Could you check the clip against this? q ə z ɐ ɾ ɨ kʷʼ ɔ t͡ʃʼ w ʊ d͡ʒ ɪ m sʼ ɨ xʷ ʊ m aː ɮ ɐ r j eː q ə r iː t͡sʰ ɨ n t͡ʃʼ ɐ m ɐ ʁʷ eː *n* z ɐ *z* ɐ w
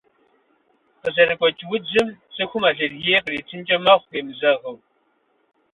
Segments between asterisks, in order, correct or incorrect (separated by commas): incorrect, incorrect